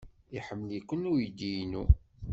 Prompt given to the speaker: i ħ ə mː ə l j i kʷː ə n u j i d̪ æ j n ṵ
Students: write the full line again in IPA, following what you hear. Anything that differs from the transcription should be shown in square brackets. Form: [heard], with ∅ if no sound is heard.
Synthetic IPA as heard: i ħ ə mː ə l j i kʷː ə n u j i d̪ [i] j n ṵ